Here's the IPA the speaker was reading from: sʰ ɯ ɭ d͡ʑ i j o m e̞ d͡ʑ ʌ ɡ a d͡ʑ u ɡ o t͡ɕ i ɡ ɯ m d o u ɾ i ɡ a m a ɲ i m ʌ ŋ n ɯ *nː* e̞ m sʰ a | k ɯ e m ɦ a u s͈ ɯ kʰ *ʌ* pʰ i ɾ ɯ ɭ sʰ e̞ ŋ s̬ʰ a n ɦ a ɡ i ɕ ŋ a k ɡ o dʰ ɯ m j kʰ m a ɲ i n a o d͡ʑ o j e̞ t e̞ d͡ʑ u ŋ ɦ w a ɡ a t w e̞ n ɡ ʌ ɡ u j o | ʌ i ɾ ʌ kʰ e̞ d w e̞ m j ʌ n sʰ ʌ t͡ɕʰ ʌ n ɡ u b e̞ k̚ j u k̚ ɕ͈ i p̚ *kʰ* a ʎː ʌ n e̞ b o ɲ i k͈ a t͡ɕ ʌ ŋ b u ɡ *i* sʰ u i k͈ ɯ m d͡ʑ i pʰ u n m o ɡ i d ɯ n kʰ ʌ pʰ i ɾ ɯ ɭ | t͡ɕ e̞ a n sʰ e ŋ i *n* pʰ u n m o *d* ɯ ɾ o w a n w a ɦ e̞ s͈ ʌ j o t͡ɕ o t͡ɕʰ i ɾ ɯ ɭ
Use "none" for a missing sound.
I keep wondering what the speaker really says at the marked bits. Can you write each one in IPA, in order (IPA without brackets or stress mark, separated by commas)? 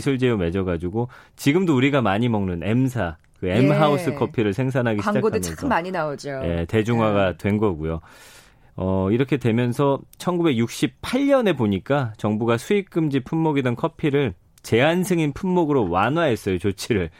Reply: n, ʌ, pʰ, a, n, ɡ